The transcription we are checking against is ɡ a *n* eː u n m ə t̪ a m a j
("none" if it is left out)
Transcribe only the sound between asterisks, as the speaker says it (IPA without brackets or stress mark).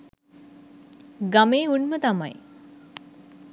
m